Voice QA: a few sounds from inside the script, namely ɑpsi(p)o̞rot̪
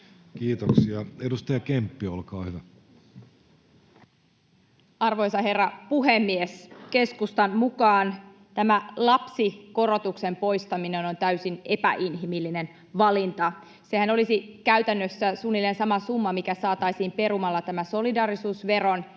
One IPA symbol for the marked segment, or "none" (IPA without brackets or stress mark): k